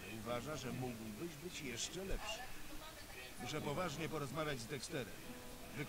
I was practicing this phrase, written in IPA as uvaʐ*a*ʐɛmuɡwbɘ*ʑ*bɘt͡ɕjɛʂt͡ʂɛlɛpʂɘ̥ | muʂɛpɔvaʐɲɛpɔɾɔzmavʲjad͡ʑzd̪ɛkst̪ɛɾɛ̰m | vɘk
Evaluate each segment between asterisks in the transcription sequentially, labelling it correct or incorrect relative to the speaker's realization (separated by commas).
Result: correct, correct